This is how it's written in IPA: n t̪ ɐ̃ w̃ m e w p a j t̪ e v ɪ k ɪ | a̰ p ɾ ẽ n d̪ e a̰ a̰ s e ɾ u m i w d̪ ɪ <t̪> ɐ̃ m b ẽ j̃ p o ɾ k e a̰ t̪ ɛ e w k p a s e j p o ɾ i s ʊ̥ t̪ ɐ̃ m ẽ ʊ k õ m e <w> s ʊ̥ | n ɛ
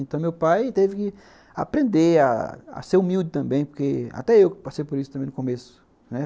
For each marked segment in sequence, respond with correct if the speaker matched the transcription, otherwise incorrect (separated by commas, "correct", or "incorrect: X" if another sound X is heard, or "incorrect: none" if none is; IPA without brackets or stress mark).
correct, incorrect: none